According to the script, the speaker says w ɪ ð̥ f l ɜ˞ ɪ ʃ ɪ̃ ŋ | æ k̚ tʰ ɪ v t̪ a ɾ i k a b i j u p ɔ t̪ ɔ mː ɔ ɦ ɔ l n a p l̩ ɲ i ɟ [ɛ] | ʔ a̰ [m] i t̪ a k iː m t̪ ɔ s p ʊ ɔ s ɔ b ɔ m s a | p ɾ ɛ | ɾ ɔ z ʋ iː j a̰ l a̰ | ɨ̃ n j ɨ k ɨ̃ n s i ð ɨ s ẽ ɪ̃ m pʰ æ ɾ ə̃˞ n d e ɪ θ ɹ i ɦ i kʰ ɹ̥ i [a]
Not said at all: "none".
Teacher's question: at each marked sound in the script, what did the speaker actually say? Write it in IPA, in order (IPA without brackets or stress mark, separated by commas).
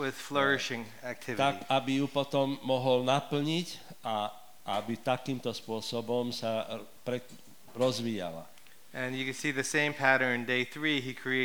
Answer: a, b, e